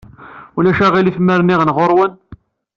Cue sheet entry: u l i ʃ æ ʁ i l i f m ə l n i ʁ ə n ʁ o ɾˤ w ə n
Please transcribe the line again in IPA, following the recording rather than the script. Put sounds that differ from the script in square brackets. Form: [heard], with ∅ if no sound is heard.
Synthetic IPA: u l [æ] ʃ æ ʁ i l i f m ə [ɾ] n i ʁ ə n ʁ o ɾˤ w ə n